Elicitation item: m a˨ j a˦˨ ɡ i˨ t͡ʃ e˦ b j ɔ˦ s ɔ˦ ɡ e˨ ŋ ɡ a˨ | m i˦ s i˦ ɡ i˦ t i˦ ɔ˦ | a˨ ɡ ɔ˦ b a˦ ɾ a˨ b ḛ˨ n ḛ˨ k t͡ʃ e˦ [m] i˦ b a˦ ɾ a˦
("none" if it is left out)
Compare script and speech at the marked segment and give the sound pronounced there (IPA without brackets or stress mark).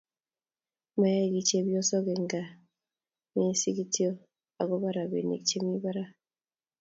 m